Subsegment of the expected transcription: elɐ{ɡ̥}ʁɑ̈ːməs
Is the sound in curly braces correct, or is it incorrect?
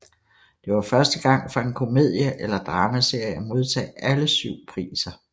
incorrect